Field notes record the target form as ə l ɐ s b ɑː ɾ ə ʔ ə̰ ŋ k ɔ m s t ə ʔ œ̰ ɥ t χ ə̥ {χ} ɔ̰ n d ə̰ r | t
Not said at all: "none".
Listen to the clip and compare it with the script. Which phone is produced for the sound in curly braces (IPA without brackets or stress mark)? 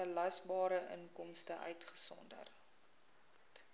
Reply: s